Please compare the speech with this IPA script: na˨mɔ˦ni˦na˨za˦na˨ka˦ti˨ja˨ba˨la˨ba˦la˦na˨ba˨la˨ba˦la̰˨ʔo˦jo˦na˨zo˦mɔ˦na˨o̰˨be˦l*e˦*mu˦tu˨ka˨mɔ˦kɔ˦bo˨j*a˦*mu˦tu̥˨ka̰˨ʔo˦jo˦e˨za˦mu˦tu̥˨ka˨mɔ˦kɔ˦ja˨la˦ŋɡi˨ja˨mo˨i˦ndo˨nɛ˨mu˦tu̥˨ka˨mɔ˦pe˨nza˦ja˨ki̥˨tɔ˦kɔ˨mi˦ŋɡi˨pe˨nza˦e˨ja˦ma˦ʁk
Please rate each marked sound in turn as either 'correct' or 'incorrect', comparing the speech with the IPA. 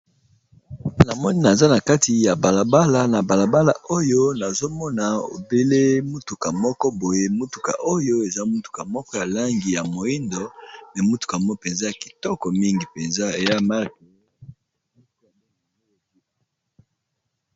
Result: correct, incorrect: e˦

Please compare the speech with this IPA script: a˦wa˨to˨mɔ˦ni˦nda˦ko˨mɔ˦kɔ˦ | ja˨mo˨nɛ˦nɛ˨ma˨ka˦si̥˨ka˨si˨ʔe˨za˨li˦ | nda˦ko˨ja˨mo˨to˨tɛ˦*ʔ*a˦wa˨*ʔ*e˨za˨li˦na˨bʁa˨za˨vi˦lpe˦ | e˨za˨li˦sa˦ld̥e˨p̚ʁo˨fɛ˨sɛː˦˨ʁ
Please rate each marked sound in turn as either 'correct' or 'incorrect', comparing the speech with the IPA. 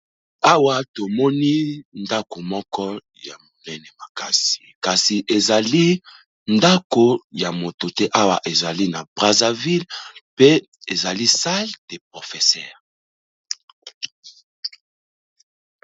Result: correct, correct

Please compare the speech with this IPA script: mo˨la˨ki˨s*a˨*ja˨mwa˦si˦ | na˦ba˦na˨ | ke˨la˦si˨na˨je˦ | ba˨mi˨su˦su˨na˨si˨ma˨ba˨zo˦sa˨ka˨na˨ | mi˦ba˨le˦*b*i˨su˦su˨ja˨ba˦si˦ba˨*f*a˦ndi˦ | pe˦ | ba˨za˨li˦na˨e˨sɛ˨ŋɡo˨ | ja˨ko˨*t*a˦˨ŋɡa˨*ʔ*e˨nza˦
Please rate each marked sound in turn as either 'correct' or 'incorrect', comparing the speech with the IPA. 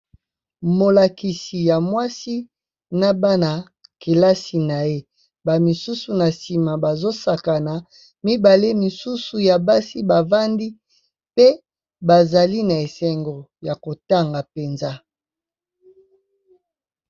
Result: incorrect: i˨, incorrect: m, incorrect: v, correct, incorrect: p

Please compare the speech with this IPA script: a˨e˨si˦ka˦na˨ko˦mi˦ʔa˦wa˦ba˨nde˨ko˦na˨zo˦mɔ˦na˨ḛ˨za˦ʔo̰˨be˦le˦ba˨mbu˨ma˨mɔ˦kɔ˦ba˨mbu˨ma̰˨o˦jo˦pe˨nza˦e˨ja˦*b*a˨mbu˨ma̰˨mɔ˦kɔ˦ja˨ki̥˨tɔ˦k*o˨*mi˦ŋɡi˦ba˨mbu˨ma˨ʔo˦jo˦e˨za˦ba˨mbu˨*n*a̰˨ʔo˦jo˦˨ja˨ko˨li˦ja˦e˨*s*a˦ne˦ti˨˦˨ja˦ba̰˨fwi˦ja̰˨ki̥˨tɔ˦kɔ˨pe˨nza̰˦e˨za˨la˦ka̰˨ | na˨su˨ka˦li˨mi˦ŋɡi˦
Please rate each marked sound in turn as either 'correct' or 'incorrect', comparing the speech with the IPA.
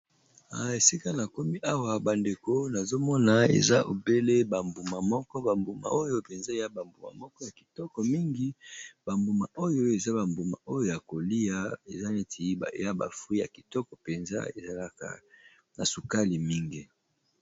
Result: correct, incorrect: ɔ˨, incorrect: m, incorrect: z

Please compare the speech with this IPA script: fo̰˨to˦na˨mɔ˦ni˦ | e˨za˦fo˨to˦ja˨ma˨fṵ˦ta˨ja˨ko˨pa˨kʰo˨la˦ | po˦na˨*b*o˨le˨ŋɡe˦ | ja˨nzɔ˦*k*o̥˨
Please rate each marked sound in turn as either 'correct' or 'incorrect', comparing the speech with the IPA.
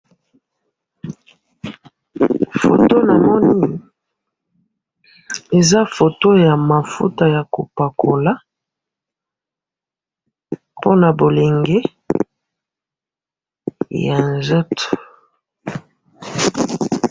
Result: correct, incorrect: t

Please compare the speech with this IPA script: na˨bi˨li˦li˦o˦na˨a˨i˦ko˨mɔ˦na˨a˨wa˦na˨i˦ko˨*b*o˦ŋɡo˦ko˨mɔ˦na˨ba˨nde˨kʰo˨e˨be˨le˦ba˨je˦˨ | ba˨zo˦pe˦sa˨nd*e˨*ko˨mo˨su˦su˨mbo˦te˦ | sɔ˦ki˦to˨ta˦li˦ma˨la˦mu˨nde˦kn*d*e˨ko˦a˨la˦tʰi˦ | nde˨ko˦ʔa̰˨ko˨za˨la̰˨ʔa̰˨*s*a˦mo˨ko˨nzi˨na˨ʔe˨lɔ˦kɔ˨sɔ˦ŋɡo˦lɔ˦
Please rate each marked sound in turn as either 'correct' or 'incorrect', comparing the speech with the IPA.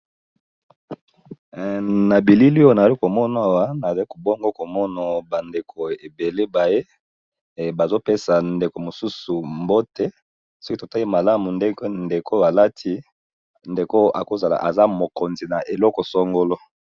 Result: correct, correct, correct, incorrect: z

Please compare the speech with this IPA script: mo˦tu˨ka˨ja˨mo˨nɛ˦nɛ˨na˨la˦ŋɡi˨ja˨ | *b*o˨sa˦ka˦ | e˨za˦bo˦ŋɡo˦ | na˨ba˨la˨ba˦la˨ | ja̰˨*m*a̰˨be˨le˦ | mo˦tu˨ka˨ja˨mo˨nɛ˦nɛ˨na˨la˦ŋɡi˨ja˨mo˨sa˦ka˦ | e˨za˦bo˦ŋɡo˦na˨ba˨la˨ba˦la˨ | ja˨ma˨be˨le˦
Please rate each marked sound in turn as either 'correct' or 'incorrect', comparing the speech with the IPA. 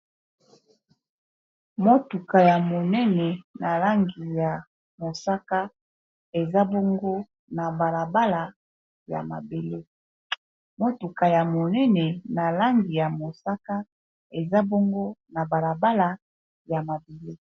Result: incorrect: m, correct

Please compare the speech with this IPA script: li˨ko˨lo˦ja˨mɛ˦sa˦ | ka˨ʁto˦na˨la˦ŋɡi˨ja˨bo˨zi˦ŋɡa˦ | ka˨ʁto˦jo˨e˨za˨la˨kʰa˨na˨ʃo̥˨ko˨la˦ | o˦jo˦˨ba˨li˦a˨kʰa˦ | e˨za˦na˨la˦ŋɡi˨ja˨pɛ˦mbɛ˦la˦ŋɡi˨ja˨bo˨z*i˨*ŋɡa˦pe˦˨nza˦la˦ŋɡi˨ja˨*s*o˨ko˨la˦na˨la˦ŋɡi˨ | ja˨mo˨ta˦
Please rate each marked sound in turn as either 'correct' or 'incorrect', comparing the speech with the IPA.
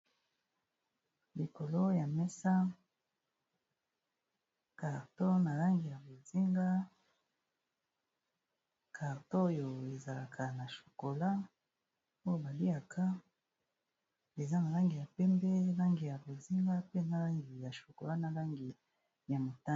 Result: incorrect: i˦, incorrect: ʃ

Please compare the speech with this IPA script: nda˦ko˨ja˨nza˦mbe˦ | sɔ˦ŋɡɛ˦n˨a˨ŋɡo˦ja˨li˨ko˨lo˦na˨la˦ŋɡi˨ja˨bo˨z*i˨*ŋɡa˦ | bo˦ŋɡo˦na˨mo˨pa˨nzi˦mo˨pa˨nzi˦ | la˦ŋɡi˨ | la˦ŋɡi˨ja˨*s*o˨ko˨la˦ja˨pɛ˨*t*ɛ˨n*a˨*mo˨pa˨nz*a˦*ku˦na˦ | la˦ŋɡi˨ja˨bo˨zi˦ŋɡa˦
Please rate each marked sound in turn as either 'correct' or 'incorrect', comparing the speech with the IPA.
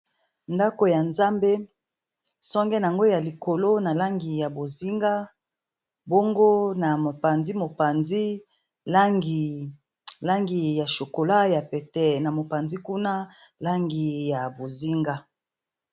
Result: incorrect: i˦, incorrect: ʃ, correct, correct, incorrect: i˦

